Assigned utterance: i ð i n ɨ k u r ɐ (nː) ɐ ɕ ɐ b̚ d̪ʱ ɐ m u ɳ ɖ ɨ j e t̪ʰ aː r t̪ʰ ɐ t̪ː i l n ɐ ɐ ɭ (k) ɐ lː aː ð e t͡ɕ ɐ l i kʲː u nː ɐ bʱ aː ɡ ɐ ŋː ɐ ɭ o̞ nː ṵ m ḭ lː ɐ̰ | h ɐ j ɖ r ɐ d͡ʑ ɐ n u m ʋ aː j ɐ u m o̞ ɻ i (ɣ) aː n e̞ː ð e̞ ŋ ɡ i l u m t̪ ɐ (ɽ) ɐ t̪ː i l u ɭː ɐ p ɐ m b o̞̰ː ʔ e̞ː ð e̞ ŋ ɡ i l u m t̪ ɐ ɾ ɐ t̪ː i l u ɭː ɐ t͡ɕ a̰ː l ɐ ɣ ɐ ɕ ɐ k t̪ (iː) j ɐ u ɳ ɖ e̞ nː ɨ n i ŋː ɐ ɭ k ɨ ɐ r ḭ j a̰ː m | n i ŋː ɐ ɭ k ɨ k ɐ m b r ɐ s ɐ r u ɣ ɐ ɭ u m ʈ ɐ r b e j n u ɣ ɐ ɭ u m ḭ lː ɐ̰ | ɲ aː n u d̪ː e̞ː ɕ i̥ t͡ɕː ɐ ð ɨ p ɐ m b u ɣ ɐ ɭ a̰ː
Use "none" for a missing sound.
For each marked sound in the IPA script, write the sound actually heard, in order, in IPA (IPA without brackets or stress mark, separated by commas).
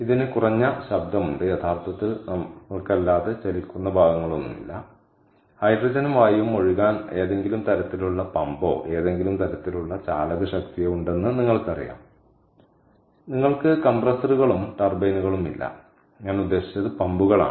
ɲː, k, ɣ, ɾ, i